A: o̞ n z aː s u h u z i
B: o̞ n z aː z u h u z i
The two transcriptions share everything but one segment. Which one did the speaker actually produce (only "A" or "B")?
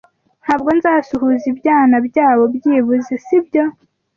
A